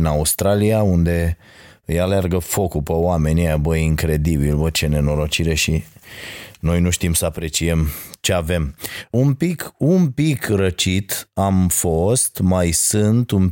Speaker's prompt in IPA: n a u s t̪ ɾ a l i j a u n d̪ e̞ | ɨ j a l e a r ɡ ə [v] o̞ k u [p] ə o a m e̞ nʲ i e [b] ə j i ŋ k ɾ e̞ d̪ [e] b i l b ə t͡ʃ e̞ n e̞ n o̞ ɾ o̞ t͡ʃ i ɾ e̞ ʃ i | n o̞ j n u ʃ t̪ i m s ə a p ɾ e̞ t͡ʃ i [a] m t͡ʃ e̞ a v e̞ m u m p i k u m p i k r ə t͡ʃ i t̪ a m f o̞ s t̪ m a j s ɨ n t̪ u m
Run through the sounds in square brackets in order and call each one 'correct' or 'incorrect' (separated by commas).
incorrect, correct, correct, incorrect, incorrect